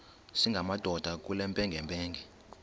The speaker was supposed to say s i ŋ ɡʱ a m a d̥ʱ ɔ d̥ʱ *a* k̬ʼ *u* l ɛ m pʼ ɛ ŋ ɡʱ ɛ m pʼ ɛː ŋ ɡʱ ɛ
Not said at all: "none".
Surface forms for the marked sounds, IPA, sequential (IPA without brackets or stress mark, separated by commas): a, u